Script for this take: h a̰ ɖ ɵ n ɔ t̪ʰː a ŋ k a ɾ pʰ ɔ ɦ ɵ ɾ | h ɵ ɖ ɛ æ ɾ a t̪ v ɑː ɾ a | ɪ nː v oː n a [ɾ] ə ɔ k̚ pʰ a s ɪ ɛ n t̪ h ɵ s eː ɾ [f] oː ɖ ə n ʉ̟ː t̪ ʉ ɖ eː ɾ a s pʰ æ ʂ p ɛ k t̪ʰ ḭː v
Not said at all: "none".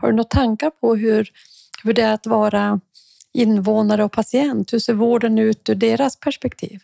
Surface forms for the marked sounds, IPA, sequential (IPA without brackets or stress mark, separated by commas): ɾ, v